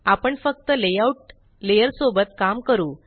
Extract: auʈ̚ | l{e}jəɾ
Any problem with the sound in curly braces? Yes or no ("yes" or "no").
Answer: no